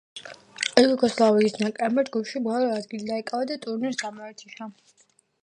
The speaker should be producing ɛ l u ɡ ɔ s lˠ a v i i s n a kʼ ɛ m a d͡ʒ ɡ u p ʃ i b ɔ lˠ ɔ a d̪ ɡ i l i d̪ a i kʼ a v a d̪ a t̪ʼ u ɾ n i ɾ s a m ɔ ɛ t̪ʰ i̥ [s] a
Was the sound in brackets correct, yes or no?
no